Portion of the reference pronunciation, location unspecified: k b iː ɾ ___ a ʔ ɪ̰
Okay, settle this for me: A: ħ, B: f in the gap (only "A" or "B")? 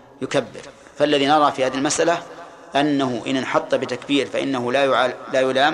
B